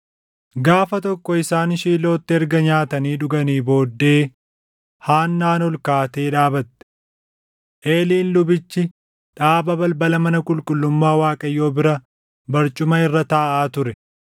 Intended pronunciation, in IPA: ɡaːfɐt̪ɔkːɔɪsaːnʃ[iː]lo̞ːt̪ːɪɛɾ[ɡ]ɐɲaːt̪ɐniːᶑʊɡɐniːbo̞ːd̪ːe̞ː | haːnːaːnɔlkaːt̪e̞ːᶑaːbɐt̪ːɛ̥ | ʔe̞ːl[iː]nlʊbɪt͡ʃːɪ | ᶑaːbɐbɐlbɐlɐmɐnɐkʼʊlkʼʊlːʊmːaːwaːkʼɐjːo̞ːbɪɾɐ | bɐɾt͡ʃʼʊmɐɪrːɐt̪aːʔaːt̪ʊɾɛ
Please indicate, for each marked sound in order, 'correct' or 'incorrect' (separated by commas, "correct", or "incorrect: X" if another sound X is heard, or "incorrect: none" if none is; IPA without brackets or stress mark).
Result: correct, correct, correct